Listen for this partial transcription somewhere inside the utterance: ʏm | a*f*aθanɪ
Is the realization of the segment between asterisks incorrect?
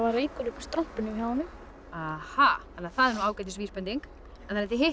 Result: yes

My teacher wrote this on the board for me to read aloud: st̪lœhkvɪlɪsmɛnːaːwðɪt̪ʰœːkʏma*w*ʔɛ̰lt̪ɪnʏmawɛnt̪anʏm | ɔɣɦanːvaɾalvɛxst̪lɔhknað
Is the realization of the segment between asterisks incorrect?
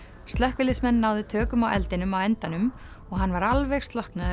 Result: no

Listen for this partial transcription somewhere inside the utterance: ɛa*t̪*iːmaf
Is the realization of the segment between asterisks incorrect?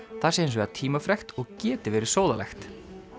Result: yes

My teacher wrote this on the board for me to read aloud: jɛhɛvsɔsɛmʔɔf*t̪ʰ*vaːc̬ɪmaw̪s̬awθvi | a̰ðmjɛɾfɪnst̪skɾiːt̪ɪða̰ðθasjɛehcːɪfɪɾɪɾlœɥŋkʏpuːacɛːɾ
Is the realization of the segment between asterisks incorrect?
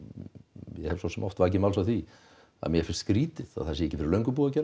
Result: yes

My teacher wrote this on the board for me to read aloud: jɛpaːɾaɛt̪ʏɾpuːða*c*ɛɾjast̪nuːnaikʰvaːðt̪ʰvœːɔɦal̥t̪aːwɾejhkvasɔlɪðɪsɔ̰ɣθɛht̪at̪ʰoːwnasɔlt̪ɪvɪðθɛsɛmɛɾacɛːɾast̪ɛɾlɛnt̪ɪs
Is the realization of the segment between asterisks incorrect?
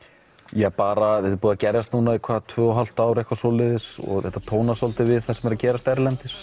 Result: no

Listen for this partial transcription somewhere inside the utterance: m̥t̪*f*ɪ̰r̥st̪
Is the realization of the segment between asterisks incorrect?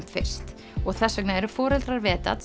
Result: no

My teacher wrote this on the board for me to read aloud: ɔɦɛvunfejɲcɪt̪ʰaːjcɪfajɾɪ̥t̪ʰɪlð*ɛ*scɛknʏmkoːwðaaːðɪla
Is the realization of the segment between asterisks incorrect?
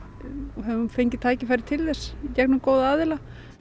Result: no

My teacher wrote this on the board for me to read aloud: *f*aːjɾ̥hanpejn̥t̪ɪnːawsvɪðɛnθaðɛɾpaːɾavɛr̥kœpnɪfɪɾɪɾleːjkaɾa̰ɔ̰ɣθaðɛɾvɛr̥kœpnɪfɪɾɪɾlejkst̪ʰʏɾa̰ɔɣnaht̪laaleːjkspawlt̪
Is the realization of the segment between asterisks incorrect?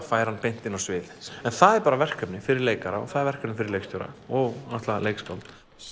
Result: no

